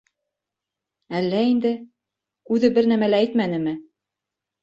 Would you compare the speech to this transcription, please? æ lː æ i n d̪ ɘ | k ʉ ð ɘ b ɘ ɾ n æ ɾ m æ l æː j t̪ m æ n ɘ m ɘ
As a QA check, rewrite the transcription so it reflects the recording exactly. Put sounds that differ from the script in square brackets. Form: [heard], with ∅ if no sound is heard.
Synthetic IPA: æ lː æ i n d̪ ɘ | k ʉ ð ɘ b ɘ ɾ n æ [∅] m æ l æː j t̪ m æ n ɘ m ɘ